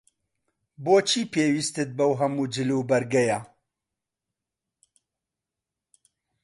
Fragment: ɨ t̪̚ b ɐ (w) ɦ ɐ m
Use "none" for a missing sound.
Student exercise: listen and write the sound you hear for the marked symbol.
w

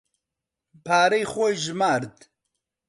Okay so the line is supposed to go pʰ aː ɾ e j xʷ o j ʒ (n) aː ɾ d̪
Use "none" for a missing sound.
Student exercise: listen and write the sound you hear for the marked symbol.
m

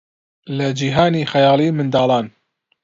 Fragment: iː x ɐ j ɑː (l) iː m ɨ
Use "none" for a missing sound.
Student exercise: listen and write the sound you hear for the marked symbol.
l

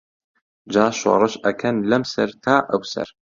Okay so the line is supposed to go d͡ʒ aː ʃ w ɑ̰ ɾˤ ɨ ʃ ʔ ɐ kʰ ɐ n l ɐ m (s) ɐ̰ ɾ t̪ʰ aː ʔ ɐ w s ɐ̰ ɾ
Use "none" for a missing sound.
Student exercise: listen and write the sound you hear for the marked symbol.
s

